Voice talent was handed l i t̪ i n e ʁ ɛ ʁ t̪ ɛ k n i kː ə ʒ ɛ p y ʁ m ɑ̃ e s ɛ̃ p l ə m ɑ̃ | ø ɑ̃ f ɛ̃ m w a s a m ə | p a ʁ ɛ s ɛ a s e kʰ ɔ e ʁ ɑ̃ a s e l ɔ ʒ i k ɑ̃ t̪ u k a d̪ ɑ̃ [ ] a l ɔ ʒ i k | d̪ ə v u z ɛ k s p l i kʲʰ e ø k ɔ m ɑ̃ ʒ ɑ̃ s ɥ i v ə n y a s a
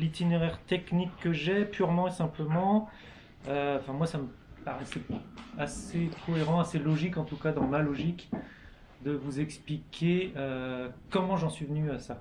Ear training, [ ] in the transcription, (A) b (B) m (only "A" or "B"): B